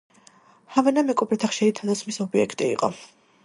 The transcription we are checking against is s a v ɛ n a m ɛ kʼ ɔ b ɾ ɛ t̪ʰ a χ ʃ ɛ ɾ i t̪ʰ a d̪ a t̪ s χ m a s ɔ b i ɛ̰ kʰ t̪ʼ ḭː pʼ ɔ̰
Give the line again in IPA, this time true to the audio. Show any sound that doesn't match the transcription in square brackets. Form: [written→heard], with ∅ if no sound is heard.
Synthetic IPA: [s→h] a v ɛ n a m ɛ kʼ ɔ b ɾ ɛ t̪ʰ a χ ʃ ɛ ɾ i t̪ʰ a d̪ a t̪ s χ m [a→i] s ɔ b i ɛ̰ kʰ t̪ʼ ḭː [pʼ→qʼ] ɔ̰